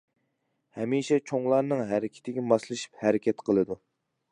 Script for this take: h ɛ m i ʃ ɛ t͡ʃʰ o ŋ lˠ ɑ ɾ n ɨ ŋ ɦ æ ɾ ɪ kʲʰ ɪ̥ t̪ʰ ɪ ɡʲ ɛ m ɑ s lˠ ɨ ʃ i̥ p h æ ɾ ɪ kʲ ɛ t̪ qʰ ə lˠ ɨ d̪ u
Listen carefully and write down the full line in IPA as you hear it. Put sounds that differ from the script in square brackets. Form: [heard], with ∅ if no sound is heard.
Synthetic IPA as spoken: h ɛ m i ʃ ɛ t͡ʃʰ o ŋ lˠ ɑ ɾ n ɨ ŋ ɦ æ ɾ ɪ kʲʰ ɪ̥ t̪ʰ ɪ ɡʲ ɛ m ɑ s lˠ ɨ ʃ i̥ p h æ ɾ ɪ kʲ ɛ t̪ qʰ ə lˠ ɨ d̪ u